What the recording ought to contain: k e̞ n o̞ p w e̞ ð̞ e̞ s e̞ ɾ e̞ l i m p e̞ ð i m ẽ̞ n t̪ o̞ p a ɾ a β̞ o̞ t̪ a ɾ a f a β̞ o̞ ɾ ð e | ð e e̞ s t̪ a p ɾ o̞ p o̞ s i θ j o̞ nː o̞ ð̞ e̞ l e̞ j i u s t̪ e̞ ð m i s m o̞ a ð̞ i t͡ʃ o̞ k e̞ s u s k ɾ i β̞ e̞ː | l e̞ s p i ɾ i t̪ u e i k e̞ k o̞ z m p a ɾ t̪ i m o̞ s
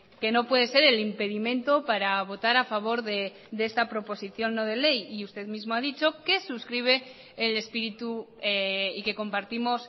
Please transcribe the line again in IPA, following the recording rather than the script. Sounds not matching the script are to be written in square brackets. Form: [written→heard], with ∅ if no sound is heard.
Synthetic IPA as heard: k e̞ n o̞ p w e̞ ð̞ e̞ s e̞ ɾ e̞ l i m p e̞ ð i m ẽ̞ n t̪ o̞ p a ɾ a β̞ o̞ t̪ a ɾ a f a β̞ o̞ ɾ ð e | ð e e̞ s t̪ a p ɾ o̞ p o̞ s i θ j o̞ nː o̞ ð̞ e̞ l e̞ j i u s t̪ e̞ ð m i [s→z] m o̞ a ð̞ i t͡ʃ o̞ k e̞ s u s k ɾ i β̞ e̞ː | l e̞ s p i ɾ i t̪ u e i k e̞ k o̞ [z→∅] m p a ɾ t̪ i m o̞ s

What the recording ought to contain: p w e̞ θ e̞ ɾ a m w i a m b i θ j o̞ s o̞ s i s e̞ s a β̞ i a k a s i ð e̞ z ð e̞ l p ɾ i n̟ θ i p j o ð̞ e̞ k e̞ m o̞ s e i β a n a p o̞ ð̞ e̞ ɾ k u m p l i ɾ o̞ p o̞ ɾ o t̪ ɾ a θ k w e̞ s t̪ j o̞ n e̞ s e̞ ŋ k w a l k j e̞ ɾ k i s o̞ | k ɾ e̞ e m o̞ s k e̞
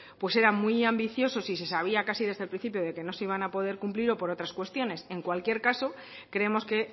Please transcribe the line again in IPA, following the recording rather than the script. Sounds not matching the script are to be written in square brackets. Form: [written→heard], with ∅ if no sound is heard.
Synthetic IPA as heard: p w e̞ [θ→s] e̞ ɾ a m w i a m b i θ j o̞ s o̞ s i s e̞ s a β̞ i a k a s i ð e̞ z ð e̞ l p ɾ i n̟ θ i p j o ð̞ e̞ k e̞ [m→n] o̞ s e i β a n a p o̞ ð̞ e̞ ɾ k u m p l i ɾ o̞ p o̞ ɾ o t̪ ɾ a [θ→s] k w e̞ s t̪ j o̞ n e̞ s e̞ ŋ k w a l k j e̞ ɾ k [i→a] s o̞ | k ɾ e̞ e m o̞ s k e̞

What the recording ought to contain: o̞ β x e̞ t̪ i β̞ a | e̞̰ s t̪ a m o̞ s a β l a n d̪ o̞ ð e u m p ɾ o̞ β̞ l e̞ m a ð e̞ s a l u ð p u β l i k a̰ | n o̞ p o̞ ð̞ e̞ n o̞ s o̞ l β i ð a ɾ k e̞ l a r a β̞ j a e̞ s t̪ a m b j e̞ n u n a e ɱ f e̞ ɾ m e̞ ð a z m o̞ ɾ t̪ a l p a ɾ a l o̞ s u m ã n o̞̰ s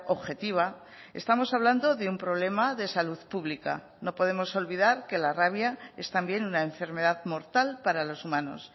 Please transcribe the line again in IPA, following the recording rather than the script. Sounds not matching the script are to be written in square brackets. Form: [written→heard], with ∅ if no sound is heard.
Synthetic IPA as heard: o̞ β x e̞ t̪ i β̞ a | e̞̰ s t̪ a m o̞ s a β l a n d̪ o̞ ð e u m p ɾ o̞ β̞ l e̞ m a ð e̞ s a l u ð p u β l i k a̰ | n o̞ p o̞ ð̞ e̞ [n→m] o̞ s o̞ l β i ð a ɾ k e̞ l a r a β̞ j a e̞ s t̪ a m b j e̞ n u n a e ɱ f e̞ ɾ m e̞ ð a [z→ð] m o̞ ɾ t̪ a l p a ɾ a l o̞ s u m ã n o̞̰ s

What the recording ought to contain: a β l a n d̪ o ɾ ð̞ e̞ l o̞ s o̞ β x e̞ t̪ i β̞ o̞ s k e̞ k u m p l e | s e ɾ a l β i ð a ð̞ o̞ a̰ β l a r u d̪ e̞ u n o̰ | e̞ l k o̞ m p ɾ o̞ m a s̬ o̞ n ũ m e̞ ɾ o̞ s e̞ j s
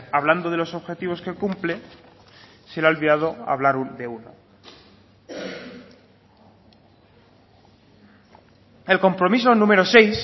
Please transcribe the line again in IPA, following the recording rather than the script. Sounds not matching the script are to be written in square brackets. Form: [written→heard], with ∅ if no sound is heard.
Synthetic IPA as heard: a β l a n d̪ o [ɾ→∅] ð̞ e̞ l o̞ s o̞ β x e̞ t̪ i β̞ o̞ s k e̞ k u m p l e | s e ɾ a l β i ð a ð̞ o̞ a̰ β l a [r→ɾ] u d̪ e̞ u n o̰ | e̞ l k o̞ m p ɾ o̞ m [a→i] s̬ o̞ n ũ m e̞ ɾ o̞ s e̞ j s

